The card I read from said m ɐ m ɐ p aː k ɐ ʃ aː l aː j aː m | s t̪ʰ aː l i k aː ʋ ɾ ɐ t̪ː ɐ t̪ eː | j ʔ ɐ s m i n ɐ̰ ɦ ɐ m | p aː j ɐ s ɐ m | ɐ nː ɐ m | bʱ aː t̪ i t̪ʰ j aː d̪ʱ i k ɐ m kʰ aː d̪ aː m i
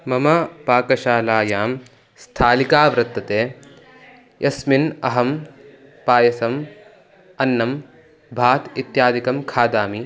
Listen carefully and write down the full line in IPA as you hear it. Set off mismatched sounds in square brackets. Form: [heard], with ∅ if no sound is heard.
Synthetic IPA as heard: m ɐ m ɐ p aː k ɐ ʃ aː l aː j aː m | s t̪ʰ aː l i k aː ʋ ɾ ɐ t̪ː ɐ t̪ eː | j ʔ ɐ s m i n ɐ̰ ɦ ɐ m | p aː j ɐ s ɐ m | ɐ nː ɐ m | bʱ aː t̪ i [t̪] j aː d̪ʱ i k ɐ m kʰ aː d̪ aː m i